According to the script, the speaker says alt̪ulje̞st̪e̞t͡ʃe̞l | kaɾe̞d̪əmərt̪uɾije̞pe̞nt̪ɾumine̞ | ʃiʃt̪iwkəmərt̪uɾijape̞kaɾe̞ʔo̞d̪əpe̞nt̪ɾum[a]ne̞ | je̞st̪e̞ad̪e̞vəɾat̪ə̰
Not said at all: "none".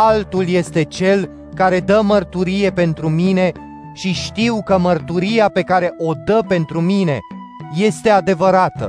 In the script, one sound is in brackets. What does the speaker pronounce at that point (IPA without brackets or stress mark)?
i